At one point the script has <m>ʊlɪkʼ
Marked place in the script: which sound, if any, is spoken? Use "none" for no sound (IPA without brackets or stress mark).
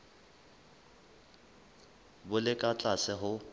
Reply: b